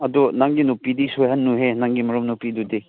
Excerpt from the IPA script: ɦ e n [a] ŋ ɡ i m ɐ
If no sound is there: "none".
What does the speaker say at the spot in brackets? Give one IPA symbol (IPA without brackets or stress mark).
a